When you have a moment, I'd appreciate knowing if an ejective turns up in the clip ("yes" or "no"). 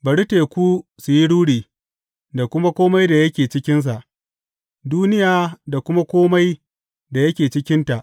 no